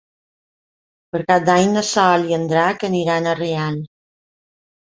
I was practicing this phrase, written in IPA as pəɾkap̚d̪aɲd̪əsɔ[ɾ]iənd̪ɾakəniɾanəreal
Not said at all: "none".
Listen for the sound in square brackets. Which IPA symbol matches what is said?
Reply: l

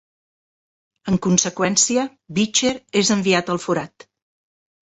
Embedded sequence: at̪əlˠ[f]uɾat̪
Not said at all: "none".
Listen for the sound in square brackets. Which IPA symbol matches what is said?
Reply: f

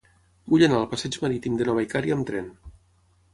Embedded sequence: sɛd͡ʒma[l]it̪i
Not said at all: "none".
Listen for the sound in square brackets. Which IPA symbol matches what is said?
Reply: ɾ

